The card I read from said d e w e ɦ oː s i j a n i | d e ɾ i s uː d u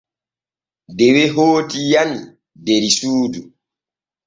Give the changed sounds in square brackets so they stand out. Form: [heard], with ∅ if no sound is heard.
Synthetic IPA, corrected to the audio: d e w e ɦ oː [t] i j a n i | d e ɾ i s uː d u